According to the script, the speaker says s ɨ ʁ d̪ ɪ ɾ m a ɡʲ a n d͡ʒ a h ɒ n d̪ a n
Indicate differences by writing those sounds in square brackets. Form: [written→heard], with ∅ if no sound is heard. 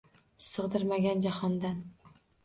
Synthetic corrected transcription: s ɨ ʁ d̪ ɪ ɾ m a ɡʲ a n d͡ʒ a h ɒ n d̪ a n